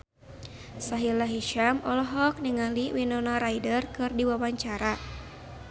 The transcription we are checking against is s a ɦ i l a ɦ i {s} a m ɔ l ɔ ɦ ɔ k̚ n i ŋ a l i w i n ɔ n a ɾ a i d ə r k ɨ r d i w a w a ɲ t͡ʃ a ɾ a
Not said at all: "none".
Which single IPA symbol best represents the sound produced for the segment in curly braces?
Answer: ʃ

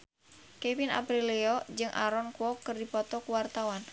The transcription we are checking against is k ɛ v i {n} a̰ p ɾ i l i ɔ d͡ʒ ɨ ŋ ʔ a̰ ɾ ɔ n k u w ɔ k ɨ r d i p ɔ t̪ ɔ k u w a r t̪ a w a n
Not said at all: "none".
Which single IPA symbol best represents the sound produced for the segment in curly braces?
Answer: n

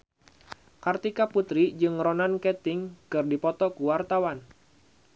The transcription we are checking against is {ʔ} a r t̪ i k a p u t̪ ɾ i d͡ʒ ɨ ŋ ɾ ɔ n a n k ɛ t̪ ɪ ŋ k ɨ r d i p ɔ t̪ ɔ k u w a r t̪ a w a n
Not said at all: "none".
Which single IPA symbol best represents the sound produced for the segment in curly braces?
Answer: k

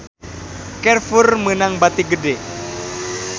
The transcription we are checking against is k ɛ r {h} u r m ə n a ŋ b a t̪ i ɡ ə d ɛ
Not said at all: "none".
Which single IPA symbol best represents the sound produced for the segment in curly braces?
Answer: f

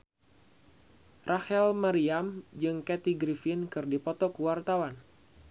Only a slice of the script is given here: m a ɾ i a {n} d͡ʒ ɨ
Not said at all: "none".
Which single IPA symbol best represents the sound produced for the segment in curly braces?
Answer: m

